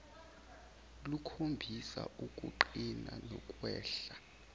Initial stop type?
aspirated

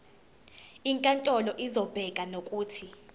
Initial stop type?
ejective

